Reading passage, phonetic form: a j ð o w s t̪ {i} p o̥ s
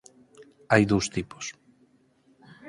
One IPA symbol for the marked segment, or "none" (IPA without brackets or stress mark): i